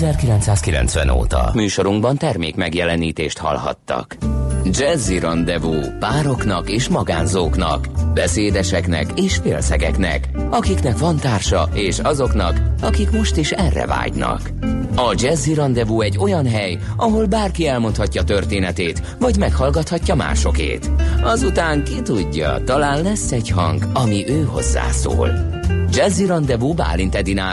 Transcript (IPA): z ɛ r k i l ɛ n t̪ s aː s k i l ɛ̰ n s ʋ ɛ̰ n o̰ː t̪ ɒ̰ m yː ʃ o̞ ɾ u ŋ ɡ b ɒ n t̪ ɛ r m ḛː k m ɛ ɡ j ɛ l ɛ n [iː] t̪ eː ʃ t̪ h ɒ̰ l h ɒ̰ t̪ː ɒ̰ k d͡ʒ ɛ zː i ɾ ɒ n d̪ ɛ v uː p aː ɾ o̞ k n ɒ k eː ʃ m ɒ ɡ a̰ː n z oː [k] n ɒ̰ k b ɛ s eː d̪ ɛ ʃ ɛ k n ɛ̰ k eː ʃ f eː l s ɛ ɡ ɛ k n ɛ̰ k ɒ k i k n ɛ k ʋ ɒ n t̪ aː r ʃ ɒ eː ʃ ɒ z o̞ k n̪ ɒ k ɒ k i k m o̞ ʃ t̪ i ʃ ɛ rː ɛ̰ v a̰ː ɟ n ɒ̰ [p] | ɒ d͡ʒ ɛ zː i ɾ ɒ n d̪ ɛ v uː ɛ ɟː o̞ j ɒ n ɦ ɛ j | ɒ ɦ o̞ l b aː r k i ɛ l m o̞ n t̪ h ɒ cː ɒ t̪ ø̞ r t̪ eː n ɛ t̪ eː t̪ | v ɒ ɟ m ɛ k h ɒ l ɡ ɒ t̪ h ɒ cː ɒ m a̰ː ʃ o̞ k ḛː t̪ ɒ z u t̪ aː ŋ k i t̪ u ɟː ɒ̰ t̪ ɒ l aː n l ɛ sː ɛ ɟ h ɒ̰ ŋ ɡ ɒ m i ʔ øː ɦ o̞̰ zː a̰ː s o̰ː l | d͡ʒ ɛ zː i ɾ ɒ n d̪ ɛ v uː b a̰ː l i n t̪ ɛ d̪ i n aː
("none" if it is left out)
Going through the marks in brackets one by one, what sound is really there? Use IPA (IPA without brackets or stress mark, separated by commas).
iː, k, k